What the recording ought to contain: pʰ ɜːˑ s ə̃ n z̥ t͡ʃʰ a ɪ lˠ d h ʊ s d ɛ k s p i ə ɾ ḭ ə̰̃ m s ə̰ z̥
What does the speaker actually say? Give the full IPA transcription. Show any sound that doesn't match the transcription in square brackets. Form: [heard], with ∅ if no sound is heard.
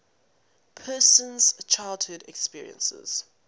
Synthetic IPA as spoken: pʰ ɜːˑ s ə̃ n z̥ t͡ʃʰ a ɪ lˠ d h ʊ [∅] d ɛ k s p i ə [ɹ] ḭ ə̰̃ [n] s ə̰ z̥

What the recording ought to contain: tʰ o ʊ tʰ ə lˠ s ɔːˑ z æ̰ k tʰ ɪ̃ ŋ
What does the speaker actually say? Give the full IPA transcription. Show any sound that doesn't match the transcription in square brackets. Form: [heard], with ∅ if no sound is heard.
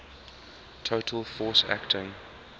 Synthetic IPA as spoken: tʰ o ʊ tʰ ə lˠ [f] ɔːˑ [s] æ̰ k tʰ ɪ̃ ŋ

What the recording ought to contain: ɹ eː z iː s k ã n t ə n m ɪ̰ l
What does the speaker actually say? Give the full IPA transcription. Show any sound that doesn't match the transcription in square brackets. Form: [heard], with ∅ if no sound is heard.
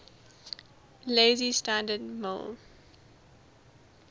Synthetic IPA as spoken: [l] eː z [i] s [t] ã n [d] ə [d] m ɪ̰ l

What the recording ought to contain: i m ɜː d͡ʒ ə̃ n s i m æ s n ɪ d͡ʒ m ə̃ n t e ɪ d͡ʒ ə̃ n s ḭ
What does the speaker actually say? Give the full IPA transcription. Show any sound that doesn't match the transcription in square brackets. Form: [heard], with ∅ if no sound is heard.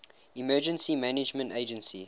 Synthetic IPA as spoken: i m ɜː d͡ʒ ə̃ n s i m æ [∅] n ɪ d͡ʒ m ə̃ n t e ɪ d͡ʒ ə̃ n s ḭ

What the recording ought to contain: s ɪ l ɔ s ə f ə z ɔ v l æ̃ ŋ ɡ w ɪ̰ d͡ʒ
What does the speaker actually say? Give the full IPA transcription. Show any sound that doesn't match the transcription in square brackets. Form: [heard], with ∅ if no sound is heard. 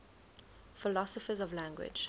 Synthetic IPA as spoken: [f] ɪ l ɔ s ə f ə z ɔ v l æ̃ ŋ ɡ w ɪ̰ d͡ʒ

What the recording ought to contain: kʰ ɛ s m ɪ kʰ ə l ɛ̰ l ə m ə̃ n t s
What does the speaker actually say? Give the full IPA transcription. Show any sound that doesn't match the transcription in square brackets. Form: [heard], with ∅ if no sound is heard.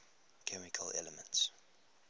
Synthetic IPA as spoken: kʰ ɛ [∅] m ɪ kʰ ə l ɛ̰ l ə m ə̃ n t s

